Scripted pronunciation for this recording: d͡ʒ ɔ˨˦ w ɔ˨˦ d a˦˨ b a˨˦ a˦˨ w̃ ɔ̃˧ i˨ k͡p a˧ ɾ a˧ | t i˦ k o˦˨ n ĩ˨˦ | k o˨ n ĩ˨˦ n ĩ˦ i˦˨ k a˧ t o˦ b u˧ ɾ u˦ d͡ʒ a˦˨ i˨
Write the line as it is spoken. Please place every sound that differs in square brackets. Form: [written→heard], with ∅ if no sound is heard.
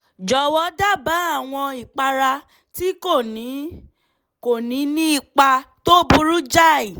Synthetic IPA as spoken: d͡ʒ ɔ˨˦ w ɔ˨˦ d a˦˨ b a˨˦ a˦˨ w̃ ɔ̃˧ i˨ k͡p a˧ ɾ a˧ | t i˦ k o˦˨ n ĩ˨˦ | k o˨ n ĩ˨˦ n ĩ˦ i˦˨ [k→k͡p] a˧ t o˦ b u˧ ɾ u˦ d͡ʒ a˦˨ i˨

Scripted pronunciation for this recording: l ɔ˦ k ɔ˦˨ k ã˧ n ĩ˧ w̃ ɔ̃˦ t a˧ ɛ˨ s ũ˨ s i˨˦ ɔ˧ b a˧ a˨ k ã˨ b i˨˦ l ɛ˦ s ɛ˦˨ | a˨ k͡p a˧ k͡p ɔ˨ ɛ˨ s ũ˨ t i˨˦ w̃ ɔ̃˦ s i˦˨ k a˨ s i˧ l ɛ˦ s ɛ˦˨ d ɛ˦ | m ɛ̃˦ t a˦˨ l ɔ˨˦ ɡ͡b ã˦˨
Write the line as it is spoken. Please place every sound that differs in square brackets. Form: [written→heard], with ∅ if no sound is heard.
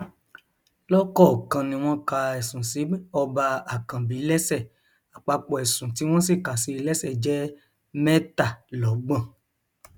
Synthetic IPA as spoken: l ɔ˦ k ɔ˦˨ k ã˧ n ĩ˧ w̃ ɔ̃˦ [t→k] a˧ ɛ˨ s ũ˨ s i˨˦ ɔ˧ b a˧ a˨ k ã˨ b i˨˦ l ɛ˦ s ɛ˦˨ | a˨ k͡p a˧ k͡p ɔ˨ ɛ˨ s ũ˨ t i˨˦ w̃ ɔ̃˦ s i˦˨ k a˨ s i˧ l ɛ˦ s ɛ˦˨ [d→d͡ʒ] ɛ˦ | m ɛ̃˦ t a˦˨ l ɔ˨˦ ɡ͡b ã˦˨

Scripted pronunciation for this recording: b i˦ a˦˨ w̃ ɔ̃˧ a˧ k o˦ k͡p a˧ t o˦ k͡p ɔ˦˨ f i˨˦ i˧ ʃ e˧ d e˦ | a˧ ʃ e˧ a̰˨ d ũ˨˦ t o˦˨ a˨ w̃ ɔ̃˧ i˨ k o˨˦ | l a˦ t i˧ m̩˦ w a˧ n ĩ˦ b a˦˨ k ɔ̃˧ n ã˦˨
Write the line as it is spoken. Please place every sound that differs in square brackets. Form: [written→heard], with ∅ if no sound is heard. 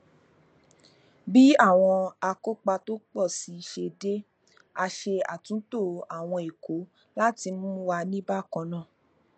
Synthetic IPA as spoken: b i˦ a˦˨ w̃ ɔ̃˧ a˧ k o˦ k͡p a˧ t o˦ k͡p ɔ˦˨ [f→s] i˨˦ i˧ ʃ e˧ d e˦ | a˧ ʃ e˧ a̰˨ [d→t] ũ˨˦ t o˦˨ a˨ w̃ ɔ̃˧ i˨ k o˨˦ | l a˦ t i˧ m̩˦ w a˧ n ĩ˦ b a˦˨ k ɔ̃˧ n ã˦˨

